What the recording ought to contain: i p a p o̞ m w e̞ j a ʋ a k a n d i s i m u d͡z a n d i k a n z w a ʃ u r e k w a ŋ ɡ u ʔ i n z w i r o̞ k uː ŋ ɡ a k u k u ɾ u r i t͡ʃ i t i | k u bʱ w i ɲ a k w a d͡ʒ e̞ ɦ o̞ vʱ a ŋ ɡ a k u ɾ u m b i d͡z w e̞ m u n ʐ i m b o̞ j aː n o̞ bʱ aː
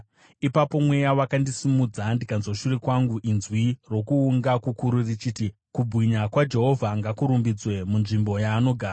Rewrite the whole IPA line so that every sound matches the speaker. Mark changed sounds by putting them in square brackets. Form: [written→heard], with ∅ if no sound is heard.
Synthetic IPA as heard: i p a p o̞ m w e̞ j a [ʋ→w] a k a n d i s i m u d͡z a n d i k a n z w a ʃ u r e k w a ŋ ɡ u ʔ i n z w i r o̞ k uː ŋ ɡ a k u k u ɾ u r i t͡ʃ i t i | k u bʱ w i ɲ a k w a d͡ʒ e̞ ɦ o̞ vʱ a ŋ ɡ a k u ɾ u m b i d͡z w e̞ m u n ʐ i m b o̞ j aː n o̞ [bʱ→ɡʱ] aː

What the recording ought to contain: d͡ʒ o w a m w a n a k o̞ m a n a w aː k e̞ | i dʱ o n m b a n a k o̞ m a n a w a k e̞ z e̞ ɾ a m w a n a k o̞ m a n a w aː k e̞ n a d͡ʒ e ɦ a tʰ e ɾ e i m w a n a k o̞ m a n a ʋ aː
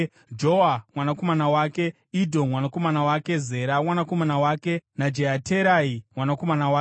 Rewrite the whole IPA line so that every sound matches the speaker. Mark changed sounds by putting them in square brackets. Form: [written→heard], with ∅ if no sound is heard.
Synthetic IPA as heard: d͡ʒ o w a m w a n a k o̞ m a n a w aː k e̞ | i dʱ o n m [b→w] a n a k o̞ m a n a w a k e̞ z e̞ ɾ a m w a n a k o̞ m a n a w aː k e̞ n a d͡ʒ e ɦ a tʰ e ɾ [e→a] i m w a n a k o̞ m a n a [ʋ→w] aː

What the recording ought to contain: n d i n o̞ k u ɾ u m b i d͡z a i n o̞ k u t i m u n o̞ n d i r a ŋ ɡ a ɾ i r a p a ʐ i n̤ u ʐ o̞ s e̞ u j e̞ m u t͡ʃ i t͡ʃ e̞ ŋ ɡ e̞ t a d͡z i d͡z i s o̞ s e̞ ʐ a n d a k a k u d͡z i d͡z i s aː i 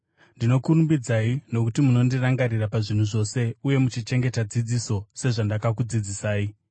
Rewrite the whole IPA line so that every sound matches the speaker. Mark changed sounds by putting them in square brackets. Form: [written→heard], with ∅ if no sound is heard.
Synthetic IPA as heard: n d i n o̞ k u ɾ u m b i d͡z a i n o̞ k u t i m u n o̞ n d i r a ŋ ɡ a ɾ i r a p a ʐ i n̤ u ʐ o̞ s e̞ u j e̞ m u t͡ʃ i t͡ʃ e̞ ŋ ɡ e̞ t a d͡z i d͡z i s o̞ s e̞ ʐ a n d a k a k u d͡z i d͡z i s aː i

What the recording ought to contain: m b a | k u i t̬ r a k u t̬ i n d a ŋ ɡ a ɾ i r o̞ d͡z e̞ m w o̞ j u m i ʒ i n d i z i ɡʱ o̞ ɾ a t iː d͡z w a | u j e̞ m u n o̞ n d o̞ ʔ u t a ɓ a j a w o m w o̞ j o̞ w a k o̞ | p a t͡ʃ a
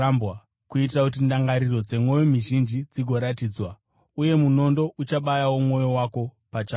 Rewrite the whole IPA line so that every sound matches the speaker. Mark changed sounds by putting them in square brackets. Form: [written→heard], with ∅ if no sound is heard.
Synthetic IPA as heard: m b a | k u i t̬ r a k u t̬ i n d a ŋ ɡ a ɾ i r o̞ d͡z e̞ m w o̞ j [u→o] m i ʒ i n [d→d͡ʒ] i [z→d͡z] i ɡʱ o̞ ɾ a t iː d͡z w a | u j e̞ m u n o̞ n d o̞ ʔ u [t→t͡ʃ] a ɓ a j a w o m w o̞ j o̞ w a k o̞ | p a t͡ʃ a

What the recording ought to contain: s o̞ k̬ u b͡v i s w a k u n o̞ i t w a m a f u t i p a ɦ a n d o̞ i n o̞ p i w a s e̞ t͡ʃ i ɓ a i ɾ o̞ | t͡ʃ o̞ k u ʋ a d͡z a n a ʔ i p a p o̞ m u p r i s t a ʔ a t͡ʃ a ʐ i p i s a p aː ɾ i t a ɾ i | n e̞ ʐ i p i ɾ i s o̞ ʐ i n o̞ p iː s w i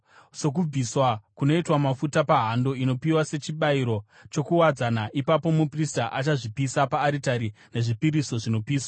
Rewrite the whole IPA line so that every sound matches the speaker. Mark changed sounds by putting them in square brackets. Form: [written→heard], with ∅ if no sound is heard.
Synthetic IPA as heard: s o̞ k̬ u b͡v i s w a k u n o̞ i t w a m a f u t [i→a] p a ɦ a n d o̞ i n o̞ p i w a s e̞ t͡ʃ i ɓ a i ɾ o̞ | t͡ʃ o̞ k u [ʋ→w] a d͡z a n a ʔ i p a p o̞ m u p r i s t a ʔ a t͡ʃ a ʐ i p i s a p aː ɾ i t a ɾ i | n e̞ ʐ i p i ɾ i s o̞ ʐ i n o̞ p iː s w [i→a]

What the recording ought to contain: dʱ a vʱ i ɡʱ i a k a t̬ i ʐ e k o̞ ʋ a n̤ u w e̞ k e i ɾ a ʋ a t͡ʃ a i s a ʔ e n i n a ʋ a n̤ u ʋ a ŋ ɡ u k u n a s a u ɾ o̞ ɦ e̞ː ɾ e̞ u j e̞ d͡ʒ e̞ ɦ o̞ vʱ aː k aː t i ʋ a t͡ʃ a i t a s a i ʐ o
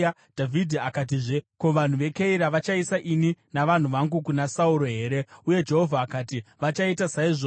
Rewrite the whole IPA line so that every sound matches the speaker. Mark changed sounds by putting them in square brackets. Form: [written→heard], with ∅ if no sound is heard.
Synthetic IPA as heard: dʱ a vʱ i [ɡʱ→dʱ] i a k a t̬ i ʐ e k o̞ ʋ a n̤ u [w→ʋ] e̞ k e i ɾ a ʋ a t͡ʃ a i s a ʔ [e→i] n i n a ʋ a n̤ u ʋ a ŋ ɡ u k u n a s a u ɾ o̞ ɦ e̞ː ɾ e̞ u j e̞ d͡ʒ e̞ ɦ o̞ vʱ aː k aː t i ʋ a t͡ʃ a i t a s a i ʐ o

